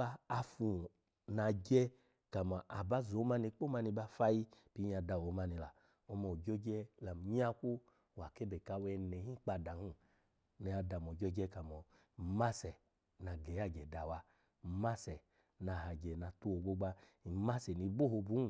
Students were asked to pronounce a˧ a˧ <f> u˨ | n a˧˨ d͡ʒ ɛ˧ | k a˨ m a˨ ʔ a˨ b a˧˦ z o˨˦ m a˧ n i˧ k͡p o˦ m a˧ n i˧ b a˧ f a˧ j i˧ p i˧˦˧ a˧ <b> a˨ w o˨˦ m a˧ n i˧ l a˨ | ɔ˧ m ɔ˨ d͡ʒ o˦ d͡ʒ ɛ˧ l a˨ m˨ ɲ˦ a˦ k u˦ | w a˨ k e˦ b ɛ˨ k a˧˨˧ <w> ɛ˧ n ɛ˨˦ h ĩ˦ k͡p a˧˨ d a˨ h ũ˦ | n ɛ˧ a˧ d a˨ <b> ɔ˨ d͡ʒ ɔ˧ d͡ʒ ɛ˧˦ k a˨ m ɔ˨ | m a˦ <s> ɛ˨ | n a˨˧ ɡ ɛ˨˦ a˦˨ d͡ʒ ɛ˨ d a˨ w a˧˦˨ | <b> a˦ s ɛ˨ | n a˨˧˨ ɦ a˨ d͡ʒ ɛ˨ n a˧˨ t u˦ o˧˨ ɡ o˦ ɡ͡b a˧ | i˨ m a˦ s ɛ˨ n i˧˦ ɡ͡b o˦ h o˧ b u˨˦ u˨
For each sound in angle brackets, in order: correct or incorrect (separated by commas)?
correct, incorrect, correct, incorrect, correct, incorrect